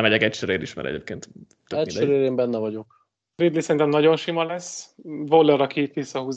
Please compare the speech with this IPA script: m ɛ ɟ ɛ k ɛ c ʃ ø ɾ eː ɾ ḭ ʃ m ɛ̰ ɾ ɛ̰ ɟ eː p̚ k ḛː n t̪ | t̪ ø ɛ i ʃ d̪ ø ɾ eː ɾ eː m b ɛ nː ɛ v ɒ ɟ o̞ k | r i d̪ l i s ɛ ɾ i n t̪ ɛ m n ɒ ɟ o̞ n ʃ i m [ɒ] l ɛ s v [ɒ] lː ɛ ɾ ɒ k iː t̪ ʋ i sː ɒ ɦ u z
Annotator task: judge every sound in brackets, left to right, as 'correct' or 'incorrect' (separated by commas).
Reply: correct, incorrect